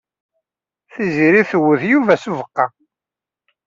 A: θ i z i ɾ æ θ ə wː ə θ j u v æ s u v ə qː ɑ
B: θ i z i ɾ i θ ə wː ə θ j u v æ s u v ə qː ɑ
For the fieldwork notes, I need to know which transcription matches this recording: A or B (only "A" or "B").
B